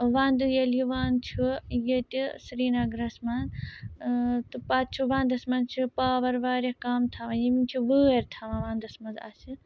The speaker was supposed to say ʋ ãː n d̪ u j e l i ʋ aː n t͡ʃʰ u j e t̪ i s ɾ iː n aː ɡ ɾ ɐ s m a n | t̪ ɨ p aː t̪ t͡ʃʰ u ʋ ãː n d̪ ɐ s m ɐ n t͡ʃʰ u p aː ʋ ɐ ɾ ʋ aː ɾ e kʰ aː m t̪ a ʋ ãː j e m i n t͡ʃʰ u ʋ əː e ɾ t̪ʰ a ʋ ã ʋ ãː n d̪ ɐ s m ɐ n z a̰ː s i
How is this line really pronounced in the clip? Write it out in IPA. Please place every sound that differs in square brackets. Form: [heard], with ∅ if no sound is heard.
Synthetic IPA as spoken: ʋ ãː n d̪ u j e l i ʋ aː n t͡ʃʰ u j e t̪ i s ɾ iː n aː ɡ ɾ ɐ s m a n | t̪ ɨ p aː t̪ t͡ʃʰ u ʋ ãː n d̪ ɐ s m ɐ n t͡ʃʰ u p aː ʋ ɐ ɾ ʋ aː ɾ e [k] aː m [t̪ʰ] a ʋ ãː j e m i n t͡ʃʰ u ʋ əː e ɾ t̪ʰ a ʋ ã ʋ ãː n d̪ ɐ s m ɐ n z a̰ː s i